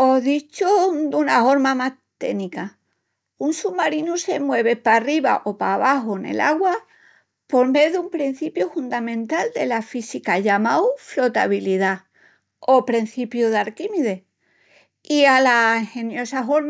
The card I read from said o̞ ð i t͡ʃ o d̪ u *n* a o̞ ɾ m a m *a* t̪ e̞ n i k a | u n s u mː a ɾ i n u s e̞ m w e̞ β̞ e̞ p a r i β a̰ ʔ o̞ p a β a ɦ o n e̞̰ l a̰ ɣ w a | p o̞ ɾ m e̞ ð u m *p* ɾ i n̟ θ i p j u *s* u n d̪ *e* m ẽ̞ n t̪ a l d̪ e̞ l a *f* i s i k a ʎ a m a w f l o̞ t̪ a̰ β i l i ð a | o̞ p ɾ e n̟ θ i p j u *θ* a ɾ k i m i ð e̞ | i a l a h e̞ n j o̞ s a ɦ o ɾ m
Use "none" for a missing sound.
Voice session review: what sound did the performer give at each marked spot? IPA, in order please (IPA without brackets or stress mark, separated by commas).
n, a, p, f, a, f, ð